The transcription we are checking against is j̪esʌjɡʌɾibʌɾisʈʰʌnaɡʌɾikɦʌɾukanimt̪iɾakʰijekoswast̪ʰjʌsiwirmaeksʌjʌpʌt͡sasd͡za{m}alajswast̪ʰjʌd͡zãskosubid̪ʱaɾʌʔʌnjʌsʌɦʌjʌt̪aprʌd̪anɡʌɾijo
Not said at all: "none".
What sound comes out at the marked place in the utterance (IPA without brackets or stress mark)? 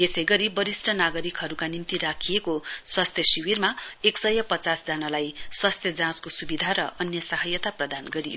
n